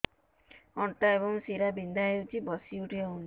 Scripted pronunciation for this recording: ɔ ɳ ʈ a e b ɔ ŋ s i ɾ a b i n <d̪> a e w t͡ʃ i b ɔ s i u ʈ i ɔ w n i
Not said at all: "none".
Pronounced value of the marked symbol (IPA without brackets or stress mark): d̪